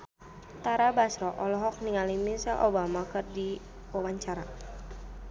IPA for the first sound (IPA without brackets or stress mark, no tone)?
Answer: t̪